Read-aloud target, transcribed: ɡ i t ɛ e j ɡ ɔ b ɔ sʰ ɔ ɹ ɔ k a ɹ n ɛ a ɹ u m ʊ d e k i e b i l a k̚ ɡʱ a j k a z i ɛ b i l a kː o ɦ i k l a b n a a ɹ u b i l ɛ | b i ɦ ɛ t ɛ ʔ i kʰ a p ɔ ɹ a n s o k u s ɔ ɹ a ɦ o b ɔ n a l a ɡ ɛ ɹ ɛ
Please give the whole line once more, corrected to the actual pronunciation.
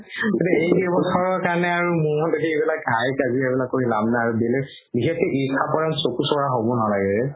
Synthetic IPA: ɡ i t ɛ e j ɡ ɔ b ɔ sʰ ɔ ɹ ɔ k a ɹ n ɛ a ɹ u m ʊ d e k i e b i l a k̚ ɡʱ a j k a z i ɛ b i l a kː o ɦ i l a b n a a ɹ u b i l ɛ | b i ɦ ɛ t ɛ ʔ i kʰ a p ɔ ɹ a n s o k u s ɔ ɹ a ɦ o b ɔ n a l a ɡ ɛ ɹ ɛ

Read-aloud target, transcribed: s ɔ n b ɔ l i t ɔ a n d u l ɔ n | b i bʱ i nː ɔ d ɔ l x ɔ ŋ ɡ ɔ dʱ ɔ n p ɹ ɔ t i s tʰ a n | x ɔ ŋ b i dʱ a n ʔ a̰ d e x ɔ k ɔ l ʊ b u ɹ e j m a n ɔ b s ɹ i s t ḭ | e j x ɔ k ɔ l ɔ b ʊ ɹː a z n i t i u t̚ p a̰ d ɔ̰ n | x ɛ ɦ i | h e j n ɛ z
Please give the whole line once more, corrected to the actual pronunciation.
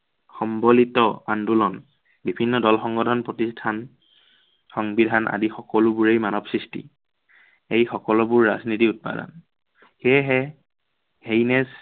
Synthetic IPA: x ɔ m b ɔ l i t ɔ a n d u l ɔ n | b i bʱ i nː ɔ d ɔ l x ɔ ŋ ɡ ɔ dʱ ɔ n p ɹ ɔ t i s tʰ a n | x ɔ ŋ b i dʱ a n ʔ a̰ d i x ɔ k ɔ l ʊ b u ɹ e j m a n ɔ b s ɹ i s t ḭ | e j x ɔ k ɔ l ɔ b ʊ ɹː a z n i t i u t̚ p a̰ d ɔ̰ n | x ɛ ɦ ɛ | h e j n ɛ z

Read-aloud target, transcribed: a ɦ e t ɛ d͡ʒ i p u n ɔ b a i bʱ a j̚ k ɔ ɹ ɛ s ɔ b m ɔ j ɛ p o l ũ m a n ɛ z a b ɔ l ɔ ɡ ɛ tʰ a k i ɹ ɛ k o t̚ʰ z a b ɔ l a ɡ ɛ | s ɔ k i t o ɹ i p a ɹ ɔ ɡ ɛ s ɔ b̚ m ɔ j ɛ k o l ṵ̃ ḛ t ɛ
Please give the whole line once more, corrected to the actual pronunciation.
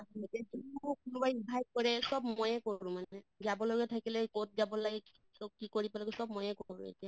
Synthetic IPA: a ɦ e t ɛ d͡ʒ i k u n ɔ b a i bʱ a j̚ k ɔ ɹ ɛ s ɔ b m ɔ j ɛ k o ɹ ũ m a n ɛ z a b ɔ l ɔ ɡ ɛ tʰ a k i l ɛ k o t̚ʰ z a b ɔ l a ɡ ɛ | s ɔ k i k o ɹ i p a l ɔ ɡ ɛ s ɔ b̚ m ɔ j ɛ k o ɹ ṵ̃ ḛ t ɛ

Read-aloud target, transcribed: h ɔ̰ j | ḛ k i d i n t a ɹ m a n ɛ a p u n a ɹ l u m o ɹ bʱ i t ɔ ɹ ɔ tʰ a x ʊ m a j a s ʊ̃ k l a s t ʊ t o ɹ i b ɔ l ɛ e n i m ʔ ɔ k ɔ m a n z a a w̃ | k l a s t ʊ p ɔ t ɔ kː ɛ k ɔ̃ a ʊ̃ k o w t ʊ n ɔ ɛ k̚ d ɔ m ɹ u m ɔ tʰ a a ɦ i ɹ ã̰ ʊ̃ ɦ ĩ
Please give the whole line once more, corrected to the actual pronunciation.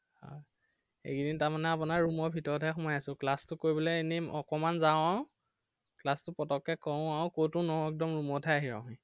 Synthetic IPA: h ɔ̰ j | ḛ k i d i n t a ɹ m a n ɛ a p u n a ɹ ɹ u m ɔ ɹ bʱ i t ɔ ɹ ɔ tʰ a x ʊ m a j a s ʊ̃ k l a s t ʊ k o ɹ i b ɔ l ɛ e n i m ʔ ɔ k ɔ m a n z a a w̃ | k l a s t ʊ p ɔ t ɔ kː ɛ k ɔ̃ a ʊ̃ k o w t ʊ n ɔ ɛ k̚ d ɔ m ɹ u m ɔ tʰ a a ɦ i ɹ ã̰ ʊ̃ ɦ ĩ

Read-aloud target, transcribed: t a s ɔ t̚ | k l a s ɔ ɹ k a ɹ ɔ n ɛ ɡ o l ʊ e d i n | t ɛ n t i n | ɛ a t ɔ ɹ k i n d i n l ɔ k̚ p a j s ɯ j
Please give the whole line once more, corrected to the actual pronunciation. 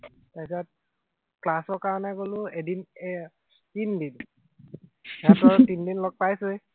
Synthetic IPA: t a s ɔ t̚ | k l a s ɔ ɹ k a ɹ ɔ n ɛ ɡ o l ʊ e d i n | t i n d i n | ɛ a t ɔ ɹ t i n d i n l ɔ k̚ p a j s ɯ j

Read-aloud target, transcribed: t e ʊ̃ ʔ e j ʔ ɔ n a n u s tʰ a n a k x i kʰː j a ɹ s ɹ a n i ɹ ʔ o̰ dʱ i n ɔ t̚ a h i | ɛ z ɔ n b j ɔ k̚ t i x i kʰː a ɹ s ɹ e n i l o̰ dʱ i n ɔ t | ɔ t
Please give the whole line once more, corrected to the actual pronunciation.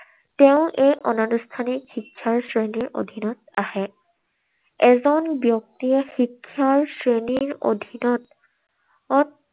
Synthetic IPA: t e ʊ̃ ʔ e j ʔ ɔ n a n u s tʰ a n i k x i kʰː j a ɹ s ɹ e n i ɹ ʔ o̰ dʱ i n ɔ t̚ a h ɛ | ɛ z ɔ n b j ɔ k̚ t i x i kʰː a ɹ s ɹ e n i ɹ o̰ dʱ i n ɔ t | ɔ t

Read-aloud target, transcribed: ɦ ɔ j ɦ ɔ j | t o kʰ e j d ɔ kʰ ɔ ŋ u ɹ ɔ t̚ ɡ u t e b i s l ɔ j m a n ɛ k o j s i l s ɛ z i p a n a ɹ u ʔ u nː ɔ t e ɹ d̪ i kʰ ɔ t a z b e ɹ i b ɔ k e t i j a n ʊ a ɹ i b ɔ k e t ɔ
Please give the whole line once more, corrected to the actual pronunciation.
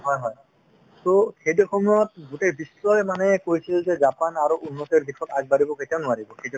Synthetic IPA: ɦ ɔ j ɦ ɔ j | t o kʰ e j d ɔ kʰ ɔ m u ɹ ɔ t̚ ɡ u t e b i s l ɔ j m a n ɛ k o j s i l z ɛ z a p a n a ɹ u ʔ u nː ɔ t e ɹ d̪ i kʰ ɔ t a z b a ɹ i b ɔ k e t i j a n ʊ a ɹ i b ɔ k e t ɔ

